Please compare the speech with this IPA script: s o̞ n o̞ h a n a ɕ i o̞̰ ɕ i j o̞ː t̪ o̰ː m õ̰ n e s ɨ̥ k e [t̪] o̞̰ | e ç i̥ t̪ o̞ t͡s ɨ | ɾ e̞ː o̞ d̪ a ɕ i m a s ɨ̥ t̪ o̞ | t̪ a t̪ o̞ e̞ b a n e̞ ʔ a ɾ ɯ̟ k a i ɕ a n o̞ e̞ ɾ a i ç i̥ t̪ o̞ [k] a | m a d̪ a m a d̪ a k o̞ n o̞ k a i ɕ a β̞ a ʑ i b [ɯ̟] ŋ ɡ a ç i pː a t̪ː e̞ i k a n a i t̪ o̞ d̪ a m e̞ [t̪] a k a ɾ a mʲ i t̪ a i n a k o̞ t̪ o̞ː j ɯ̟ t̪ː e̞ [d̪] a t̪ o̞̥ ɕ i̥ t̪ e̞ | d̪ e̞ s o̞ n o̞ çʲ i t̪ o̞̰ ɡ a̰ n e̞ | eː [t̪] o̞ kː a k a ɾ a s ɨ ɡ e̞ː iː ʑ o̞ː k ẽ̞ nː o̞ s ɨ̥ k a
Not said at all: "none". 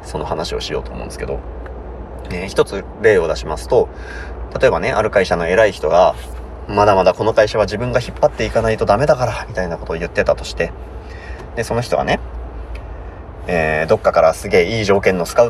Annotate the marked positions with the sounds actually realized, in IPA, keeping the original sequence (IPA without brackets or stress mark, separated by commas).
d̪, ɡ, ɯ̟̃, d̪, t̪, d̪